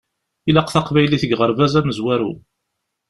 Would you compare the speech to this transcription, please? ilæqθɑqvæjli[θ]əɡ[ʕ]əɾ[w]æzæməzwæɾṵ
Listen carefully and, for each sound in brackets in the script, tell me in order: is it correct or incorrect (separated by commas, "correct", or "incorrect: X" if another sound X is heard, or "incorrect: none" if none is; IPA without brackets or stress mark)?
correct, incorrect: ʁ, incorrect: v